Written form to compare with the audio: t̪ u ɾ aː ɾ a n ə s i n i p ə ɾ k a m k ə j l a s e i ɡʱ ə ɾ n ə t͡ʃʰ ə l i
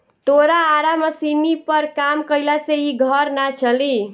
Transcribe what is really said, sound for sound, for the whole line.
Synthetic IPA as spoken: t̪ o ɾ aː ɾ a m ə s i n i p ə ɾ k a m k ə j l a s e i ɡʱ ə ɾ n a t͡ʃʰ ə l i